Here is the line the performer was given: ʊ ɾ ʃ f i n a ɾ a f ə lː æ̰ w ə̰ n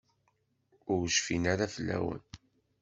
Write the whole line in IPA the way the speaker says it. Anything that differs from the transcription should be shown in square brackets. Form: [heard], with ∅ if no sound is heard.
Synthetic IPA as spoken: ʊ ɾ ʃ f i n a ɾ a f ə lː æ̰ w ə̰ n